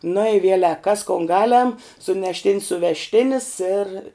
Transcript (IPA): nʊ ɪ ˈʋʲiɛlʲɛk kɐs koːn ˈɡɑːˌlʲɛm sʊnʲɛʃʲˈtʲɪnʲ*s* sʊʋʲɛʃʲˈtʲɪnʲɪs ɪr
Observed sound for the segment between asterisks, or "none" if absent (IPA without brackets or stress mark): s